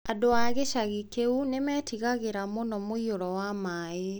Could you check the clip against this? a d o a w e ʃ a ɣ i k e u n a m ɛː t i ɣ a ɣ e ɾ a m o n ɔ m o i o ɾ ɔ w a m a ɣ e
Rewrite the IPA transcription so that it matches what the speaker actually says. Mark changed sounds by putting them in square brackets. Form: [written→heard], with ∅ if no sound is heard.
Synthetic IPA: a d o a [w→ɣ] e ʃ a ɣ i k e u n [a→e] m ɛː t i ɣ a ɣ e ɾ a m o n ɔ m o i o ɾ ɔ w a m a [ɣ→∅] e